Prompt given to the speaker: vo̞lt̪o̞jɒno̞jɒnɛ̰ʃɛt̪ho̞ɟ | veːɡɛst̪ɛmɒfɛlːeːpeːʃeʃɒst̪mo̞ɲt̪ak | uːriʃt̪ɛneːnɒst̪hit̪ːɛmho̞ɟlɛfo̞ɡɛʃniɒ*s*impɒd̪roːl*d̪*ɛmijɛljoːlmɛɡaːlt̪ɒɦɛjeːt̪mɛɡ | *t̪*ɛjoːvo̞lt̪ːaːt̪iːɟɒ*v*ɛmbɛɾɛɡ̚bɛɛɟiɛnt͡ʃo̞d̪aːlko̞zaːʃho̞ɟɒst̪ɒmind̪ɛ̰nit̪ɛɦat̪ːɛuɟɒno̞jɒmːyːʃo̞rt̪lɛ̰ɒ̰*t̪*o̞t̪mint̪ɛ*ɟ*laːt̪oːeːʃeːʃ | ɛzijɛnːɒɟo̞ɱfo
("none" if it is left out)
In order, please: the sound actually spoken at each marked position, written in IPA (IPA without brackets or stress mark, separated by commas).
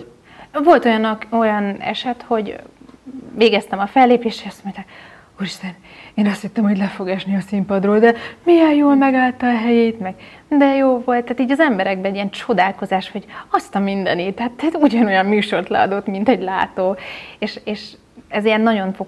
s, d̪, d̪, z, d̪, ɟ